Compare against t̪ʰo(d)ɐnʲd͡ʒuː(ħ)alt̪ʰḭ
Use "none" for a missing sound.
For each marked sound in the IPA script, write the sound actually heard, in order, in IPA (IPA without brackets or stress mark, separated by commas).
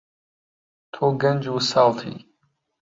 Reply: ɡ, s